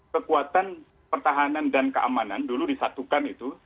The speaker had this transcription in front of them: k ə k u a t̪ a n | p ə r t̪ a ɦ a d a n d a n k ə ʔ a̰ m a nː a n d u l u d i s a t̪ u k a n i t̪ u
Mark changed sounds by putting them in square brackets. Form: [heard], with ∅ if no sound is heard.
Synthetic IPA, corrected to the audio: k ə k u a t̪ a n | p ə r t̪ a ɦ a [n] a n d a n k ə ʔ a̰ m a [n] a n d u l u d i s a t̪ u k a n i t̪ u